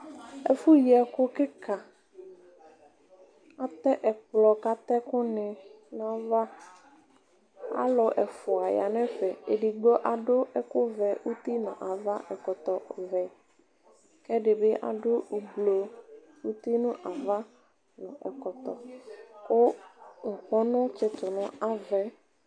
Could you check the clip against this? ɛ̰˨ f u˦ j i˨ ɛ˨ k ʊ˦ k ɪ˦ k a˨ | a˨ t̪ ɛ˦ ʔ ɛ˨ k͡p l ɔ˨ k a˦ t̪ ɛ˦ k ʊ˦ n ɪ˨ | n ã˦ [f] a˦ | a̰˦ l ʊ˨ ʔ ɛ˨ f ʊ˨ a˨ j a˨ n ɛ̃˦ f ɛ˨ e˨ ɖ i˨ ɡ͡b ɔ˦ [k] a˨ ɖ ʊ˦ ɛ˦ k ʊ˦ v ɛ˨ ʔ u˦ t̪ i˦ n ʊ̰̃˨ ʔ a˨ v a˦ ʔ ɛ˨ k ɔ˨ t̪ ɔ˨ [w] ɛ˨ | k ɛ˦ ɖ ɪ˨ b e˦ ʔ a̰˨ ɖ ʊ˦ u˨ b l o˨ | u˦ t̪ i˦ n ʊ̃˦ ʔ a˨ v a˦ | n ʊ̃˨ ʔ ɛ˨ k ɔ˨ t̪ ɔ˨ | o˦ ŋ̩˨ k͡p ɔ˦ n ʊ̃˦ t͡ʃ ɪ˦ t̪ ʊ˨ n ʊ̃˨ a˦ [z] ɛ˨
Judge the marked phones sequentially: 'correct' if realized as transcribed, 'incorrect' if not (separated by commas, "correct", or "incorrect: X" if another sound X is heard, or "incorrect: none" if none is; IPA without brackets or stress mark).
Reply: incorrect: v, incorrect: ʔ, incorrect: v, incorrect: v